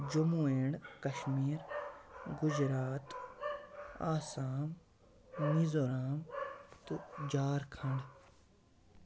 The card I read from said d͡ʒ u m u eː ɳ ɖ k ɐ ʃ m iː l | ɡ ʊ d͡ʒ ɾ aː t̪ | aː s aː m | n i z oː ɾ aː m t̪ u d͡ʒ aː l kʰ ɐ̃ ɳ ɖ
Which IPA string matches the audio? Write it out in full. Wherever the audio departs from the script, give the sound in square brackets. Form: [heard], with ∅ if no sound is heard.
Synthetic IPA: d͡ʒ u m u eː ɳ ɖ k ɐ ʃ m iː [ɾ] | ɡ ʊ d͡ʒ ɾ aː t̪ | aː s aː m | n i z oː ɾ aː m t̪ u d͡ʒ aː [ɾ] kʰ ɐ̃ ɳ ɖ